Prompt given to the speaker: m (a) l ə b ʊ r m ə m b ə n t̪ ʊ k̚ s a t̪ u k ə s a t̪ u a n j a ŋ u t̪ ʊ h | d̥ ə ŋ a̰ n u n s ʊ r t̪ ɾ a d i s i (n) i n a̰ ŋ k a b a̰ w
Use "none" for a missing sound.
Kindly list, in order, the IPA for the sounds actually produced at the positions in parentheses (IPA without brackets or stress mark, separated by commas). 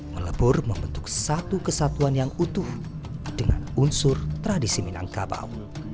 ə, m